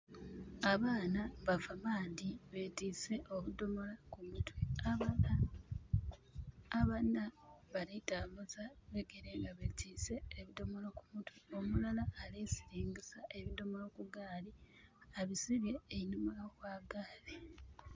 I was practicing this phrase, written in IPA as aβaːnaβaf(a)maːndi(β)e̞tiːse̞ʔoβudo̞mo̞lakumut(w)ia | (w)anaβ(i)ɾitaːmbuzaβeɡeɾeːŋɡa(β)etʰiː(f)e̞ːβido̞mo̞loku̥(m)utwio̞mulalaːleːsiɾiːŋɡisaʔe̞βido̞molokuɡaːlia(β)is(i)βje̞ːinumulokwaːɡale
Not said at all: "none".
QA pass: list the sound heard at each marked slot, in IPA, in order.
a, β, w, β, a, β, s, m, β, i

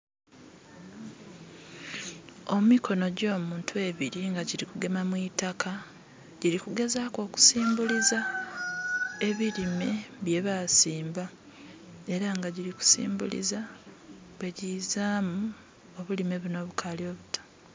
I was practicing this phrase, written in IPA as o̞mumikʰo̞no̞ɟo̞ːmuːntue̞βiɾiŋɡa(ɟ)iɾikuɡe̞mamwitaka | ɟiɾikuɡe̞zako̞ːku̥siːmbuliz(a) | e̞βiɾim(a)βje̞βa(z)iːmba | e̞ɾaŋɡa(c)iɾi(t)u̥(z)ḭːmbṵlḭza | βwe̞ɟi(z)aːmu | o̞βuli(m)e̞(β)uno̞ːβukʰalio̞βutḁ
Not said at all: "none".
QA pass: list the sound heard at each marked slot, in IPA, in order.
ɟ, a, e, s, ɟ, k, s, z, m, β

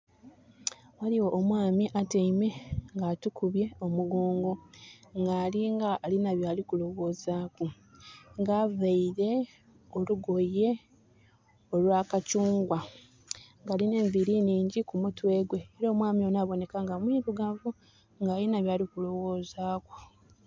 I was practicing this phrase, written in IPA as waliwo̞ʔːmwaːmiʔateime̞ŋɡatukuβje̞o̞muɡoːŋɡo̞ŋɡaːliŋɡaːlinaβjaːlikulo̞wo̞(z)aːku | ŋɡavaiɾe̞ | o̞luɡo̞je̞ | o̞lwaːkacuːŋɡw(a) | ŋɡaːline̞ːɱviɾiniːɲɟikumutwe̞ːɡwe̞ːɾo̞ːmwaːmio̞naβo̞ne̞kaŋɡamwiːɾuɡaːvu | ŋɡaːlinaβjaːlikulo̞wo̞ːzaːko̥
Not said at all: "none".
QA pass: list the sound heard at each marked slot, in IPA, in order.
z, a

